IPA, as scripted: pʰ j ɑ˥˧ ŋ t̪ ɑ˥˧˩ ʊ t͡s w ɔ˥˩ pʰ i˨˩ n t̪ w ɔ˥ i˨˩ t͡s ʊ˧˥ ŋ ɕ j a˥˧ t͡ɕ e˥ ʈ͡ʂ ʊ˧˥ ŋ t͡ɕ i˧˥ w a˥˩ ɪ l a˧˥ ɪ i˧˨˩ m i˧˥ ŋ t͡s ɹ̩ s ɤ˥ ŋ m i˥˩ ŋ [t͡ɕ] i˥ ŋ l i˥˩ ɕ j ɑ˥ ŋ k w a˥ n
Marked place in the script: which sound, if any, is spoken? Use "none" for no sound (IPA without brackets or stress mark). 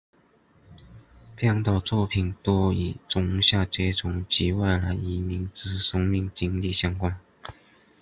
t͡ɕ